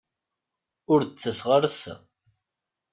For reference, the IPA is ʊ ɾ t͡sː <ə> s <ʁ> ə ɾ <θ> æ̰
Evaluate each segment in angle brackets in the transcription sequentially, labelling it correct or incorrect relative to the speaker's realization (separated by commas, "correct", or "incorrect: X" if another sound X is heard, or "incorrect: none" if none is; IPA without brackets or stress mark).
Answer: correct, correct, incorrect: s